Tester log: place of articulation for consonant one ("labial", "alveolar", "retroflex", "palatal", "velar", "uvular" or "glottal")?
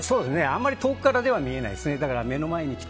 alveolar